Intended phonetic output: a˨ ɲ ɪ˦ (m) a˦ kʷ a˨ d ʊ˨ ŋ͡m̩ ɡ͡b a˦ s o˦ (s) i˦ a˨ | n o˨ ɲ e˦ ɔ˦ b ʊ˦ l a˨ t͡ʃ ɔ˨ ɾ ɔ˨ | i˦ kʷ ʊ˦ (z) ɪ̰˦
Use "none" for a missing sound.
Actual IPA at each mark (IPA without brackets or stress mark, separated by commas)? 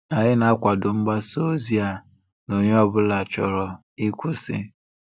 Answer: n, z, s